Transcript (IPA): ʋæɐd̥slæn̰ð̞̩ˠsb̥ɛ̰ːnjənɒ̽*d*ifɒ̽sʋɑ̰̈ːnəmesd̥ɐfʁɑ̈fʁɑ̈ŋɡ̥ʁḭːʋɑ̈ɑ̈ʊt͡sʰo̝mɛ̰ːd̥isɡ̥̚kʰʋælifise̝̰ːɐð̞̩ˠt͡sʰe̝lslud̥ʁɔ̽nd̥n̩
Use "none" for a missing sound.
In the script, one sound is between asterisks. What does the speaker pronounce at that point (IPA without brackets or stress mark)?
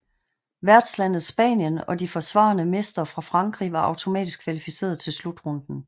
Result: d